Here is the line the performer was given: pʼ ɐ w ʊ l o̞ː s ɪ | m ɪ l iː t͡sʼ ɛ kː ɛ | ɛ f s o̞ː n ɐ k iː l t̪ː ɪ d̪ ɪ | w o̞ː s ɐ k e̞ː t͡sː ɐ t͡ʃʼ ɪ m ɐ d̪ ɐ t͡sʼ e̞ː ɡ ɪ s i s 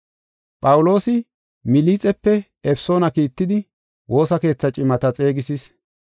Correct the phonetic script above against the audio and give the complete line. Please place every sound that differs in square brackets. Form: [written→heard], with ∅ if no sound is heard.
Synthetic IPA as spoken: pʼ ɐ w ʊ l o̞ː s ɪ | m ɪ l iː t͡sʼ ɛ [kː→pː] ɛ | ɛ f s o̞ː n ɐ k iː [l→∅] t̪ː ɪ d̪ ɪ | w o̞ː s ɐ k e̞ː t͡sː ɐ t͡ʃʼ ɪ m ɐ [d̪→t̪] ɐ t͡sʼ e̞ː ɡ ɪ s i s